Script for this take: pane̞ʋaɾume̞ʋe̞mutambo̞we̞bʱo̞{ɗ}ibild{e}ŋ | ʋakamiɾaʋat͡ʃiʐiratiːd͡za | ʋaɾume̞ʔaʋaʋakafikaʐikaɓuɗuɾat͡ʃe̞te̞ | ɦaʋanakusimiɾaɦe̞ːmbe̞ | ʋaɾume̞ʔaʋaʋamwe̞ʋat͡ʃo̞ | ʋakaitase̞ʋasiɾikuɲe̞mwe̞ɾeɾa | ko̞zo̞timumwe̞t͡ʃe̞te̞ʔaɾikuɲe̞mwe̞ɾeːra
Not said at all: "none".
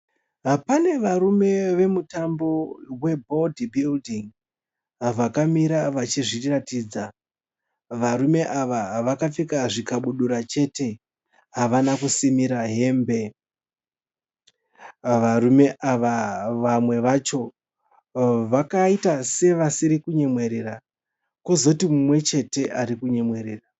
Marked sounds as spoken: d, i

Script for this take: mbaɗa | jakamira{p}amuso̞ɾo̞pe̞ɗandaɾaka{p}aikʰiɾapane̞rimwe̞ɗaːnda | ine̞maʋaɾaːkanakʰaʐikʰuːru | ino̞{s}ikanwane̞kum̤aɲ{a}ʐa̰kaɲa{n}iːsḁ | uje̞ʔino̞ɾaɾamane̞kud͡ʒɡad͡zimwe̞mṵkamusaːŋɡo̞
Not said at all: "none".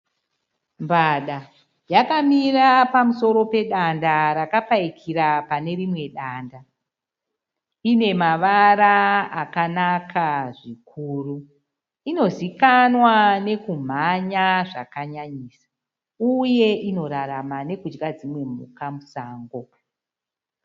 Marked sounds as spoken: p, p, z, a, ɲ

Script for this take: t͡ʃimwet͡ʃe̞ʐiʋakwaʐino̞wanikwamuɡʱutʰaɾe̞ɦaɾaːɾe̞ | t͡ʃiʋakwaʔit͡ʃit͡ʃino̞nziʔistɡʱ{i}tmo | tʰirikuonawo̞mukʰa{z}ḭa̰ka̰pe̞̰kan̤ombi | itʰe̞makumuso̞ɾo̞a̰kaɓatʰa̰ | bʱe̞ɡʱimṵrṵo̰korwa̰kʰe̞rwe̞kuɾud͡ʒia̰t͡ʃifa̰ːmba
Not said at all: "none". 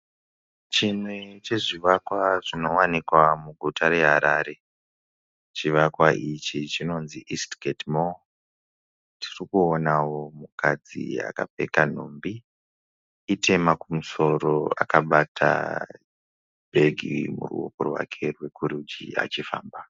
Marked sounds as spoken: e, d͡z

